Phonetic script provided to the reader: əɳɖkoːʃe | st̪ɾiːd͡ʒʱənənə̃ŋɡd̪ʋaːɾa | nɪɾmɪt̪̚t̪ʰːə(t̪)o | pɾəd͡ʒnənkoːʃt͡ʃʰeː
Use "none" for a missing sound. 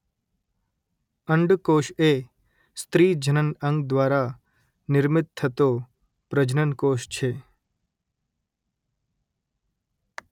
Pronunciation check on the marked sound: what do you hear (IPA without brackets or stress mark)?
t̪